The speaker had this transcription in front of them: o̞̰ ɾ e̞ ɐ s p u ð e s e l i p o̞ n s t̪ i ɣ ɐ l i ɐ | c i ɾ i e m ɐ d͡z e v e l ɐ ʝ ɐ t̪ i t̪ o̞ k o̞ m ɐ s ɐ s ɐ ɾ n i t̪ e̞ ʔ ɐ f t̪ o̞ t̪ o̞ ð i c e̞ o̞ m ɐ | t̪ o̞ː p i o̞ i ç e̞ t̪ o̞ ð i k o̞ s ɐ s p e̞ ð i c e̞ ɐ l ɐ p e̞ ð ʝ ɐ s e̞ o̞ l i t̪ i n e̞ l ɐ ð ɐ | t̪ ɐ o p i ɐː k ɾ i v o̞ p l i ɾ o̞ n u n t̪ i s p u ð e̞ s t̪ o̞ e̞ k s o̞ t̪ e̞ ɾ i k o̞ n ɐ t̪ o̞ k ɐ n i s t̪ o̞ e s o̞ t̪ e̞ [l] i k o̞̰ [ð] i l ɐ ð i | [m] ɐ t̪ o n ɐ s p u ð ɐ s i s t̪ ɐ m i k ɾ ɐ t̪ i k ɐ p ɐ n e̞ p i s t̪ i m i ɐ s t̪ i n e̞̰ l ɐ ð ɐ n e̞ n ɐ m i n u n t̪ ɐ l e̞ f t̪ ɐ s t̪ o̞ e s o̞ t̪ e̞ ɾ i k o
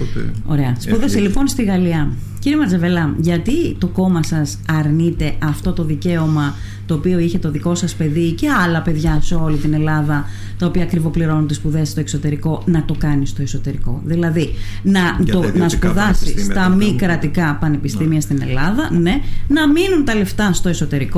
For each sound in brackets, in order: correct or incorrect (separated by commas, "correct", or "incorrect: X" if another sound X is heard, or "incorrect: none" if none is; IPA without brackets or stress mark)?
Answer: incorrect: ɾ, correct, incorrect: n